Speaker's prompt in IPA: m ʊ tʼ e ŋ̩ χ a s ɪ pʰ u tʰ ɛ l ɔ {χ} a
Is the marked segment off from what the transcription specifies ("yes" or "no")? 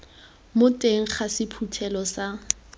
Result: yes